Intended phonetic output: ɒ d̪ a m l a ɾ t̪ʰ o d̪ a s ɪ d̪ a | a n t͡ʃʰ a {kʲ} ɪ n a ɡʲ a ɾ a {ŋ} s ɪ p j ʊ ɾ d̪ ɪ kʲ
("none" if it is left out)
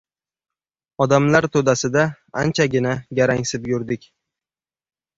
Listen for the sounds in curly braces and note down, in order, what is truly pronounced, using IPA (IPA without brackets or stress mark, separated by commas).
ɡʲ, ŋ